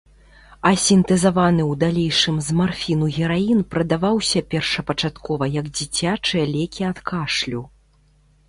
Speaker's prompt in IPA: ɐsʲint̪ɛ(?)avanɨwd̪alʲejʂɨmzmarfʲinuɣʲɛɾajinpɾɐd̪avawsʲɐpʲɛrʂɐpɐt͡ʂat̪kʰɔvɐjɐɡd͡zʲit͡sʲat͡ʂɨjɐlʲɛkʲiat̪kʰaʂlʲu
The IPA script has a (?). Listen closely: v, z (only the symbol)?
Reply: z